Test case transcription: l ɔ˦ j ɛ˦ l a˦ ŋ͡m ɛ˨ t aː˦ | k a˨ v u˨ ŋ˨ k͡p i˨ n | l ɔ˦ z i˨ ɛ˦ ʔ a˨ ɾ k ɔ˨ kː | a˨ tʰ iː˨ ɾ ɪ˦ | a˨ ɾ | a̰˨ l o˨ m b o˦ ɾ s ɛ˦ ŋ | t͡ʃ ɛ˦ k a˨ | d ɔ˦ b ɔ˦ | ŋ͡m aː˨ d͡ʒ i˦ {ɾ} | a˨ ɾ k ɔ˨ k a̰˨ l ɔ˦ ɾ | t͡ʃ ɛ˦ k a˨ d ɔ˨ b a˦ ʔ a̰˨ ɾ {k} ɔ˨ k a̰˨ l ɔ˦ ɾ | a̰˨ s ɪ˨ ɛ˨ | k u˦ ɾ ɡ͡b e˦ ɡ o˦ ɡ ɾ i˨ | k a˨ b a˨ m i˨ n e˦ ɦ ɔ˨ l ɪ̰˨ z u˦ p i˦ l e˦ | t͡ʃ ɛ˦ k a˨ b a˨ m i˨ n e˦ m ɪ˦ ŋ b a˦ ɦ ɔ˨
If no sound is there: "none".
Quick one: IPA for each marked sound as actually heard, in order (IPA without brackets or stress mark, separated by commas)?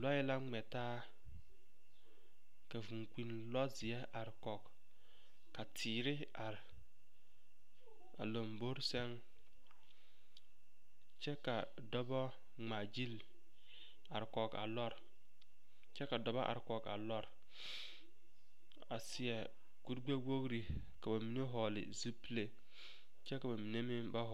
l, k